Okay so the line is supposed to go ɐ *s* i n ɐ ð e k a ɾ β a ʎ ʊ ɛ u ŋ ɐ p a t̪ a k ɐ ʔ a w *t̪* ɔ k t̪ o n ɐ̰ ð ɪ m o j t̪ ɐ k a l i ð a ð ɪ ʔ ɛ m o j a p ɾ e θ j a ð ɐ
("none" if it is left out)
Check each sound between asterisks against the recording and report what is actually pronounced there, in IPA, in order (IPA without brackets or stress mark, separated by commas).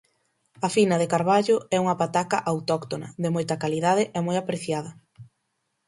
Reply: f, t̪